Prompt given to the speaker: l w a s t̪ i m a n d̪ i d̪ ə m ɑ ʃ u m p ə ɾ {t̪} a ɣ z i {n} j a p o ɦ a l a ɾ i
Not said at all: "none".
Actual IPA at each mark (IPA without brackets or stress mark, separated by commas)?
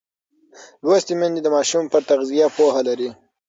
t̪, none